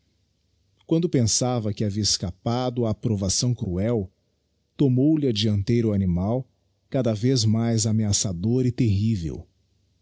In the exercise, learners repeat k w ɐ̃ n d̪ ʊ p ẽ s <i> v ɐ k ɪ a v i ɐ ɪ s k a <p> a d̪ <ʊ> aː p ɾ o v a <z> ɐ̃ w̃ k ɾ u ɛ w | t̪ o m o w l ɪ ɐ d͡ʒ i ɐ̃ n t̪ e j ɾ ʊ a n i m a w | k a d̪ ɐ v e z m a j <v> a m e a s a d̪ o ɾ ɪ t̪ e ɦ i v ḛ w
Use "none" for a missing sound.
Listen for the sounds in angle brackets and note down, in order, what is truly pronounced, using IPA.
a, p, ʊ, s, z

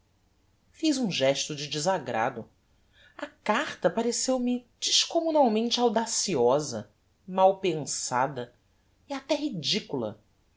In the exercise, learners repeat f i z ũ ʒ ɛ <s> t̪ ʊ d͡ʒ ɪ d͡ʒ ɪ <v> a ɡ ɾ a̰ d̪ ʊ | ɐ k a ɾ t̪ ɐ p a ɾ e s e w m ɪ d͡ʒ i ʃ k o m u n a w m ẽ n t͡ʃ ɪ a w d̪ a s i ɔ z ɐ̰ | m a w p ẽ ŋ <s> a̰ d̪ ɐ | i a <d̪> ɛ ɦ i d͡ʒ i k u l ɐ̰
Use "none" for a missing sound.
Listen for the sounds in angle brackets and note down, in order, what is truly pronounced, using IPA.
ʃ, z, s, t̪

